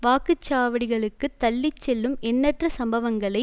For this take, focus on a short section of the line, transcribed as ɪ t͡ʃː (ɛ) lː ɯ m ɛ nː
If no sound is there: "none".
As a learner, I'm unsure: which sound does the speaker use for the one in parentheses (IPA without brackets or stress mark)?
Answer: ɛ